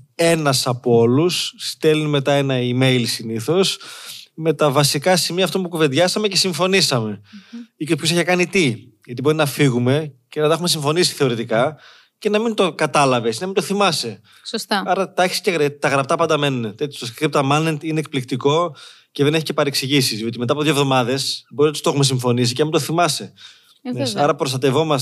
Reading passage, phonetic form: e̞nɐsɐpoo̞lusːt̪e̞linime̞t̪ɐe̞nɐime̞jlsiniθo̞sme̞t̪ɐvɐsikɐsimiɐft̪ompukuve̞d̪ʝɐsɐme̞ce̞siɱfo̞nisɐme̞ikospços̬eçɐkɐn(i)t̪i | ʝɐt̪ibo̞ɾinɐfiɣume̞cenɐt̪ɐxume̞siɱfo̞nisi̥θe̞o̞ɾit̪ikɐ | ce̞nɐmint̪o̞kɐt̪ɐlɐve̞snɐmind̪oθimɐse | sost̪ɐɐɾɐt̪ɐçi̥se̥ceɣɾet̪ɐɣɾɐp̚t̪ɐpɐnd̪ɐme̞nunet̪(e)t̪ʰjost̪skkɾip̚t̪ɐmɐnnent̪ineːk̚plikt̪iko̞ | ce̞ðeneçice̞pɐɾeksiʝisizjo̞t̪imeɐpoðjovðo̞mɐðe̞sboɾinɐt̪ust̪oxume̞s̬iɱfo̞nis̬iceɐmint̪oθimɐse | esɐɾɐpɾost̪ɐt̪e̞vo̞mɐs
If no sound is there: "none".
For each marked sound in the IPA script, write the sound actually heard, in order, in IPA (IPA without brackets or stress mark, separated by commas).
i, e